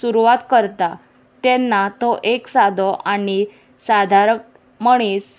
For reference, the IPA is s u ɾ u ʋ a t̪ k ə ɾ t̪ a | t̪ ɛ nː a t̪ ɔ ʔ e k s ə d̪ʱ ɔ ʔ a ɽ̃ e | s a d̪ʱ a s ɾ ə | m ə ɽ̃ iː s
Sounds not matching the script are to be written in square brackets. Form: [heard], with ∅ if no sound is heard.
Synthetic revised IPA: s u ɾ u ʋ a t̪ k ə ɾ t̪ a | t̪ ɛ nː a t̪ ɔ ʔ e k s [a] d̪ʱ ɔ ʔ a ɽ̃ [i] | s a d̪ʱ a [∅] ɾ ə | m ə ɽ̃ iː s